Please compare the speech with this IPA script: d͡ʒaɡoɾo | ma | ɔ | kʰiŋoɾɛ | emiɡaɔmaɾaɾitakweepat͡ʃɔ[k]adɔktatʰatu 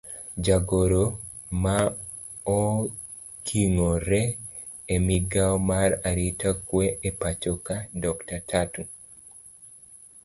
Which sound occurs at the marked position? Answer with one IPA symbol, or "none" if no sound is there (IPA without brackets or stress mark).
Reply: k